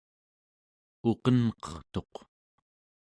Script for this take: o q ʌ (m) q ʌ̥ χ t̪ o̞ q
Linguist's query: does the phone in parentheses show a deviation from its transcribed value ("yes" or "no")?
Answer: yes